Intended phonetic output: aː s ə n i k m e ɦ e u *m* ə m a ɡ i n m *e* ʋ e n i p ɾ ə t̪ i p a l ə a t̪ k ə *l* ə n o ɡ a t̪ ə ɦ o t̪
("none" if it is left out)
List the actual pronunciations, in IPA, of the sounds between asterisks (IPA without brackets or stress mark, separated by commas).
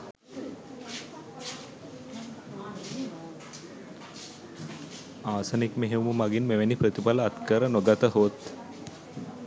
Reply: m, e, ɾ